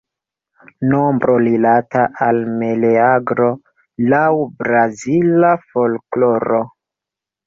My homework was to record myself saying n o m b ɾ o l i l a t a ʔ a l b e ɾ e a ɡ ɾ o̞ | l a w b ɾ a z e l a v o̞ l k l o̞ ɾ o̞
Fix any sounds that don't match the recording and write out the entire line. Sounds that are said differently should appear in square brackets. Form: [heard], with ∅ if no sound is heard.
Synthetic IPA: n o m b ɾ o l i l a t a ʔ a l [m] e [l] e a ɡ ɾ o̞ | l a w b ɾ a z [i] l a [f] o̞ l k l o̞ ɾ o̞